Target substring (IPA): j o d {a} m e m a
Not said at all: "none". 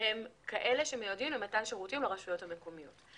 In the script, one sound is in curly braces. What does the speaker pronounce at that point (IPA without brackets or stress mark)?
i